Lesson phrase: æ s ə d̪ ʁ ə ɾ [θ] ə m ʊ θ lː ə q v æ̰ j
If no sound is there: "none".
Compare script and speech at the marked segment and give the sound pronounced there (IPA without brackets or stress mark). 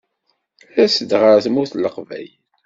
θ